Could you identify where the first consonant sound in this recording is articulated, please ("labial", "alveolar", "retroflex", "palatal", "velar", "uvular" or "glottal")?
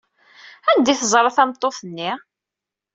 alveolar